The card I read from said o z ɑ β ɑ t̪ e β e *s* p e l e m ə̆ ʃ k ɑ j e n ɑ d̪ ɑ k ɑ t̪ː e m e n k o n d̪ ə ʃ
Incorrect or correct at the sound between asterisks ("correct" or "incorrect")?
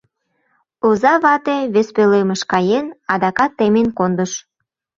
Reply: correct